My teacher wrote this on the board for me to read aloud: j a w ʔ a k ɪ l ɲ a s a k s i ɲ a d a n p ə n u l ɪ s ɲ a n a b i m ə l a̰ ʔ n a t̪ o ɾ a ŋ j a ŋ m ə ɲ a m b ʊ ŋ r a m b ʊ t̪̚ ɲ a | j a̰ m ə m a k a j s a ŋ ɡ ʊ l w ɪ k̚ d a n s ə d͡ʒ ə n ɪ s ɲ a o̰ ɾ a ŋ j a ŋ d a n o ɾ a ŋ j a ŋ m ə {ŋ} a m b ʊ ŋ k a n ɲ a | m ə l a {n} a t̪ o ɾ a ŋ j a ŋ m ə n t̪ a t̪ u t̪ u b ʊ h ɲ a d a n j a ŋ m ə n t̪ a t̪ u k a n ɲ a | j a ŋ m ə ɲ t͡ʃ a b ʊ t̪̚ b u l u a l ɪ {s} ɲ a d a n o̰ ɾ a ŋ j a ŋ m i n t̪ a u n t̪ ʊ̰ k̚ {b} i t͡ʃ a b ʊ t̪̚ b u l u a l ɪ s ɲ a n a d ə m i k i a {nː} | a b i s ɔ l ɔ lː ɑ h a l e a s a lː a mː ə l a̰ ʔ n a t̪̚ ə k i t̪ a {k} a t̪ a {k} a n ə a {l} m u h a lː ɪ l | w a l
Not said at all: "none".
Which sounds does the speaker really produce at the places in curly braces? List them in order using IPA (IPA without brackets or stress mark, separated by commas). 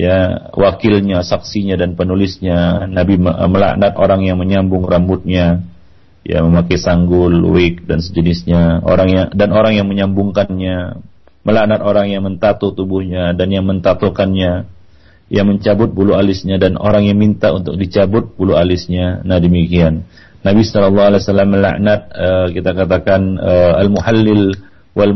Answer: ɲ, n, s, d, nː, k, k, l